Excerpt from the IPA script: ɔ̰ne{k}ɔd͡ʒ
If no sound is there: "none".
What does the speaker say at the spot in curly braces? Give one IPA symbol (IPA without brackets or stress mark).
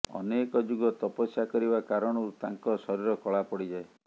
k